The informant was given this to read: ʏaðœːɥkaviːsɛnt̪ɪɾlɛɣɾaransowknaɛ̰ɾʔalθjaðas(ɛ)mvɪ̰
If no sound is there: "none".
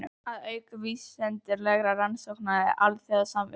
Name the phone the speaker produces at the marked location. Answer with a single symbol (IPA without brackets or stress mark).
a